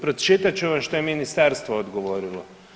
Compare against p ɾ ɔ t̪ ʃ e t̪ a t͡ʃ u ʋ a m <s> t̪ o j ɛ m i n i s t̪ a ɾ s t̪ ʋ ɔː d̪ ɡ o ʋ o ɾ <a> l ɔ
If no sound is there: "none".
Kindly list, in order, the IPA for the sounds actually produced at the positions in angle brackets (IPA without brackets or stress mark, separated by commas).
ʃ, i